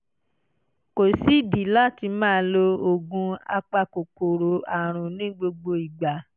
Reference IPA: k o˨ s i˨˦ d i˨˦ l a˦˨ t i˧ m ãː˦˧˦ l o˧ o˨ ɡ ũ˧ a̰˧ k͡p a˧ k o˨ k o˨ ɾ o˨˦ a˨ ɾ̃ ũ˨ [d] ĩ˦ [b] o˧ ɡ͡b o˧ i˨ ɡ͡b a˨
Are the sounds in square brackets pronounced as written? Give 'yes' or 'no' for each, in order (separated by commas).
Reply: no, no